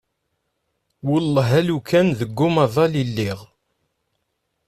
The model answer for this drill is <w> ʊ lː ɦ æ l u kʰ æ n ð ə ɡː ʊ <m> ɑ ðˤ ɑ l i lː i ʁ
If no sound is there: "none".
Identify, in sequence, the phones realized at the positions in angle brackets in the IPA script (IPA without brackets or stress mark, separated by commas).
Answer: w, m